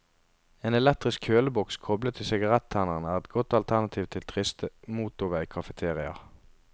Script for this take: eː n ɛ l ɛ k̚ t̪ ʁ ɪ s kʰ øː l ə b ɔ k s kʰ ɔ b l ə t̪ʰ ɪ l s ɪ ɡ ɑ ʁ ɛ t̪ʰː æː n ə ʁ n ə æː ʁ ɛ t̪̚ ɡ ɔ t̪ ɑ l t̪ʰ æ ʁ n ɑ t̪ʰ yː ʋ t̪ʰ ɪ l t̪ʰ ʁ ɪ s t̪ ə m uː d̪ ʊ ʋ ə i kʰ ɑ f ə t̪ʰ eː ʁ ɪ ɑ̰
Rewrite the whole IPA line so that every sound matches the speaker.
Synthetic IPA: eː n ɛ l ɛ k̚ t̪ ʁ ɪ s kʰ øː l ə b ɔ k s kʰ ɔ b l ə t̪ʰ ɪ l s ɪ ɡ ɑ ʁ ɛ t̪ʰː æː n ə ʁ n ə æː ʁ ɛ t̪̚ ɡ ɔ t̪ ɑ l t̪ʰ æ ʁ n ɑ t̪ʰ iː ʋ t̪ʰ ɪ l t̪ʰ ʁ ɪ s t̪ ə m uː t̪ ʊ ʋ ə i kʰ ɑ f ə t̪ʰ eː ʁ ɪ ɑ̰